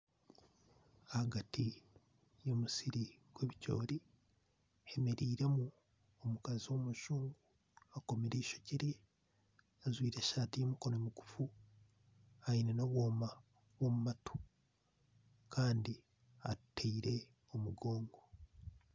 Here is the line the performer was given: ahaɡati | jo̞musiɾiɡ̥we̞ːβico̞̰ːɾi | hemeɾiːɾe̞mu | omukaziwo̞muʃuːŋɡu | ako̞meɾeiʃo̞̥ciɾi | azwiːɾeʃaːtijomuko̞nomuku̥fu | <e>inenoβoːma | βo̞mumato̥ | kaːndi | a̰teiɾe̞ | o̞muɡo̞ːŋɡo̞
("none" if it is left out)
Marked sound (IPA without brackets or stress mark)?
a